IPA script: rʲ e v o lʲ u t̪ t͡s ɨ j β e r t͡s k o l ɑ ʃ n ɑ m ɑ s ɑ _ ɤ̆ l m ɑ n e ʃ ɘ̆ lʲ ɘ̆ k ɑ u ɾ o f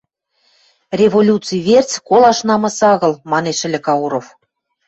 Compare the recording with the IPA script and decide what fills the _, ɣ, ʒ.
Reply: ɣ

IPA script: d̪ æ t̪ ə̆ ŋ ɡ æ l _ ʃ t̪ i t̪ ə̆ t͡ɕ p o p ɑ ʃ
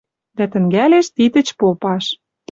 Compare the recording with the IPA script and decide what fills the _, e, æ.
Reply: e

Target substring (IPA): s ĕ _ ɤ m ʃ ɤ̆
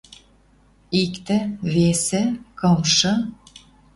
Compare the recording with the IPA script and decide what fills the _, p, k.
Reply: k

